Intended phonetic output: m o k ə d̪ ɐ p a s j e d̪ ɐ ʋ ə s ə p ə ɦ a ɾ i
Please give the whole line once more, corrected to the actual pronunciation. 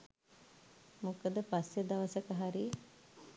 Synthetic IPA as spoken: m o k ə d̪ ə p a s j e d̪ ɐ ʋ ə s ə k ə ɦ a ɾ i